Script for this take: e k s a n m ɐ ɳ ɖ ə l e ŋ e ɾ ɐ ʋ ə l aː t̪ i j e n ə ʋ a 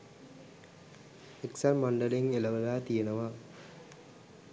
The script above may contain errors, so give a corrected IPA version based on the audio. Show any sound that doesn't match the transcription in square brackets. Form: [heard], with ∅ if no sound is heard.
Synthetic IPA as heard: e k s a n m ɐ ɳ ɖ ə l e ŋ e [l] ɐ ʋ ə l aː t̪ i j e n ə ʋ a